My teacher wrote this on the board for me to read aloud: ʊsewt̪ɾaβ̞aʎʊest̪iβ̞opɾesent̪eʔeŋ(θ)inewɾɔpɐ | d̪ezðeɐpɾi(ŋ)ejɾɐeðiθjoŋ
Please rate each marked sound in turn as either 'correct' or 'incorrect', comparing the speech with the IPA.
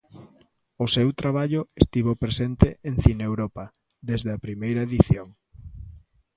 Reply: correct, incorrect: m

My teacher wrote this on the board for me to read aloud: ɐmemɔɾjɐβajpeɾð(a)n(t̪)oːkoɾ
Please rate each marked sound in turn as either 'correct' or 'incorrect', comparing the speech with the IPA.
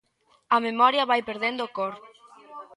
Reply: incorrect: e, incorrect: d̪

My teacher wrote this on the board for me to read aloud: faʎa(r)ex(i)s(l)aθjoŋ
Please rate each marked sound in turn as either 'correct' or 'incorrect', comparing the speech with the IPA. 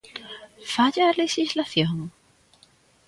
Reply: incorrect: l, correct, correct

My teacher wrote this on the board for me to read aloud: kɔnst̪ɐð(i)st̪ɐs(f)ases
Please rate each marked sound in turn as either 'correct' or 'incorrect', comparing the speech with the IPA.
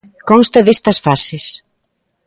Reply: incorrect: e, correct

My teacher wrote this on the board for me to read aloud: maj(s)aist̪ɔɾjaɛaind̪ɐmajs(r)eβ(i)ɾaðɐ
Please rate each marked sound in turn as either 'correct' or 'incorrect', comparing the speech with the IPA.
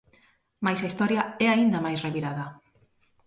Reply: correct, correct, correct

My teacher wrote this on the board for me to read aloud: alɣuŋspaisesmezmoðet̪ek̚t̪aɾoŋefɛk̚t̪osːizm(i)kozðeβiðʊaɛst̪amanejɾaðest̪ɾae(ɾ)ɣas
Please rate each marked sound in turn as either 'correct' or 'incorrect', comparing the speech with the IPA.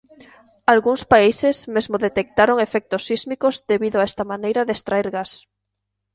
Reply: correct, correct

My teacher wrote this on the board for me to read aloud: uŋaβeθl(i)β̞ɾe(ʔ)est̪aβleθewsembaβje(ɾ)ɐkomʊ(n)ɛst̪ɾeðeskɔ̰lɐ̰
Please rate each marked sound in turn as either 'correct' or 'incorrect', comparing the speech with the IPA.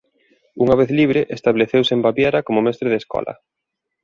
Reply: correct, correct, correct, incorrect: m

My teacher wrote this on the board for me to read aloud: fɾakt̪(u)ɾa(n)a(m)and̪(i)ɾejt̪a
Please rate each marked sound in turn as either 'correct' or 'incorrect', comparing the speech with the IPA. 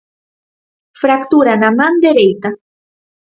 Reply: correct, correct, correct, incorrect: e

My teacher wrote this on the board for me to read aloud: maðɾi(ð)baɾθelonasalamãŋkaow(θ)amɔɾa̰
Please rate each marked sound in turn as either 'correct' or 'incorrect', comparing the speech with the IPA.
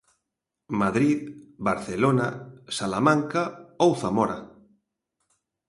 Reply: correct, correct

